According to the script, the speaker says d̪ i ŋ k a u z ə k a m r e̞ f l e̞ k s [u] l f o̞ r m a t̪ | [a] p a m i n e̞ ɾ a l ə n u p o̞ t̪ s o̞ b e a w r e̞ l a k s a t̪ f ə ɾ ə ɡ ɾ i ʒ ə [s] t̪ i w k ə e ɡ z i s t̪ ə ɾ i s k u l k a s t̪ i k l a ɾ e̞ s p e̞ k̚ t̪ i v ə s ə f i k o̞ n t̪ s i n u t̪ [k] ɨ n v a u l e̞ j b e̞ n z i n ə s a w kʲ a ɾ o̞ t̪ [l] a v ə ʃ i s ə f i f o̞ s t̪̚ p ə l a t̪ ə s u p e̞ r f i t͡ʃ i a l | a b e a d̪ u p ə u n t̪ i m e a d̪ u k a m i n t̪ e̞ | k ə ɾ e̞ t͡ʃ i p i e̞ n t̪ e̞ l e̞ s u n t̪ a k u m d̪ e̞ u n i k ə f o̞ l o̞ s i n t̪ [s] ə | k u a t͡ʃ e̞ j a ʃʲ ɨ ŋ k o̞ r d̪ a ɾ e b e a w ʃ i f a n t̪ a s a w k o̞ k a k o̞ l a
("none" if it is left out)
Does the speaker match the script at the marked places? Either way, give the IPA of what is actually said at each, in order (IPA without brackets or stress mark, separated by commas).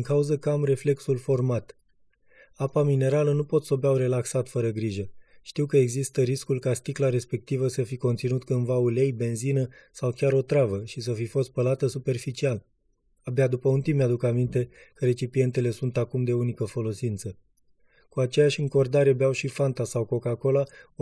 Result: u, a, ʃ, k, ɾ, s